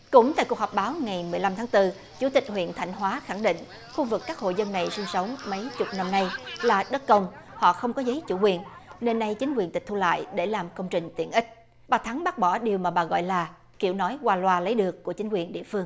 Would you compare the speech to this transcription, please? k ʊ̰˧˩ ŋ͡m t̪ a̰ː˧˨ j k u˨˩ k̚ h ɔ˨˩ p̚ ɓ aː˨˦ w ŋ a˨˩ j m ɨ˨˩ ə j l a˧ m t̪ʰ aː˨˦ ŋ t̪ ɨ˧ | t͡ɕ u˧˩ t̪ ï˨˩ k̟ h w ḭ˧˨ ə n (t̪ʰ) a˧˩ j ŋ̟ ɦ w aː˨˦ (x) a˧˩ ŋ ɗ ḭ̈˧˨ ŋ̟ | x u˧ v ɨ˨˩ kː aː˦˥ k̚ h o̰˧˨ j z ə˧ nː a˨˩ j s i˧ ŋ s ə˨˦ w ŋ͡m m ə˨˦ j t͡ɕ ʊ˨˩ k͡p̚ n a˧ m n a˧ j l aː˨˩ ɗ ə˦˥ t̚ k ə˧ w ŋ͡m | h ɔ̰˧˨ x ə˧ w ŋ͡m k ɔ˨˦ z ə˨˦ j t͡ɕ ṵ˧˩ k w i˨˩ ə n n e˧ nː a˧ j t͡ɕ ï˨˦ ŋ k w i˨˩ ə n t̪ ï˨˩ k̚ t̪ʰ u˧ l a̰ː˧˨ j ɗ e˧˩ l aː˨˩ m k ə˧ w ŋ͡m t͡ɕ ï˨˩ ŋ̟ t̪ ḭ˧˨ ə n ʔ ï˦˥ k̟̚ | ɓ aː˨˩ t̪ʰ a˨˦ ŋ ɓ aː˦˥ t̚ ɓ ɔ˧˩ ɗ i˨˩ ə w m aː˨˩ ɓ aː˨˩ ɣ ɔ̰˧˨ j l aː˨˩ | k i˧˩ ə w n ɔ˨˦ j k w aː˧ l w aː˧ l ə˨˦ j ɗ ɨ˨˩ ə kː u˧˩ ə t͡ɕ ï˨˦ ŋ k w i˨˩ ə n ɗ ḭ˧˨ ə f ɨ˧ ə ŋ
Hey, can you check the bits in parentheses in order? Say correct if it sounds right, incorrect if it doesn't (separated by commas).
correct, correct